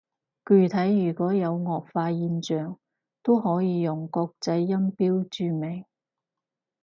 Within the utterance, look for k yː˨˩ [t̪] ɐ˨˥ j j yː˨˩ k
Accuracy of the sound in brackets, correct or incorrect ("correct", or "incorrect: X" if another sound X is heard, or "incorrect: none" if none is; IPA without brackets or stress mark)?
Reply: incorrect: t̪ʰ